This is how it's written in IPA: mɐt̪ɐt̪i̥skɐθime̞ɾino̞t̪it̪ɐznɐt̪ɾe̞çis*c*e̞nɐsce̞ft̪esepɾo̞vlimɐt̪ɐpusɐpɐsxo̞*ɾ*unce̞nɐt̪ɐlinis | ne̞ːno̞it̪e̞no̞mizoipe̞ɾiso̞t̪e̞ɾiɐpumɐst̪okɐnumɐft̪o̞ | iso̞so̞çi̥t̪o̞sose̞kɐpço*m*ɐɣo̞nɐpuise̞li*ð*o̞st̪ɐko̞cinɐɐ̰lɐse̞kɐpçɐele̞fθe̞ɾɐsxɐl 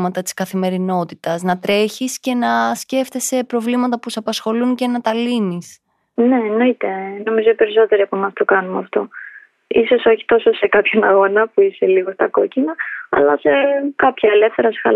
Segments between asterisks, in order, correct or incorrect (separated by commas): correct, incorrect, incorrect, incorrect